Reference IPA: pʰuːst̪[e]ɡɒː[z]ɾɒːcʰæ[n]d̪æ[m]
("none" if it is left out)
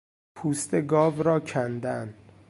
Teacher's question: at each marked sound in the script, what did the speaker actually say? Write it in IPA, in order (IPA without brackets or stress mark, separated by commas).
e, v, n, n